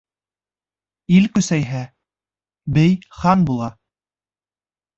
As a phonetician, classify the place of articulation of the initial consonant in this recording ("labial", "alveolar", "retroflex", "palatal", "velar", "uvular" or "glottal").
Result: alveolar